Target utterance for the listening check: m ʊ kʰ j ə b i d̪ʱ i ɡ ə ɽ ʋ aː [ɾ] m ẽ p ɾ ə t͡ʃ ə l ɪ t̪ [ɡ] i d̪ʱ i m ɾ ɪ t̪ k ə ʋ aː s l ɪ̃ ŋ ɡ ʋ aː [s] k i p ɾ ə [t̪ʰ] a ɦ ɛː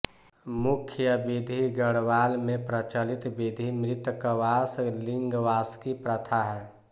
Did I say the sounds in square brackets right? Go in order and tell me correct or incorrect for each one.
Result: incorrect: l, incorrect: b, correct, correct

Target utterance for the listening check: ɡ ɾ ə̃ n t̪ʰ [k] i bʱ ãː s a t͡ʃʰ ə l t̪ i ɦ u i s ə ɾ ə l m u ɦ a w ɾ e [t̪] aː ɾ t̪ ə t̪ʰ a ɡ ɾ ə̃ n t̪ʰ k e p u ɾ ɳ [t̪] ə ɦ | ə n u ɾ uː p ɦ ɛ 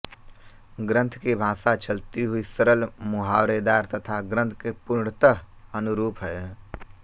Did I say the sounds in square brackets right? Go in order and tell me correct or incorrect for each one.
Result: correct, incorrect: d̪, correct

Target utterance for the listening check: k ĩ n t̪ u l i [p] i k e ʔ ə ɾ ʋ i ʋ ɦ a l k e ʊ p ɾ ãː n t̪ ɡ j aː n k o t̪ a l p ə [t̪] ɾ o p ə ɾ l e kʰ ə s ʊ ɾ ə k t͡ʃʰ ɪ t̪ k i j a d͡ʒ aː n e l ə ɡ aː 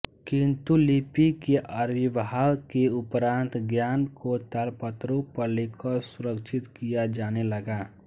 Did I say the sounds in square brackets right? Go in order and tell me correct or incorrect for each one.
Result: correct, correct

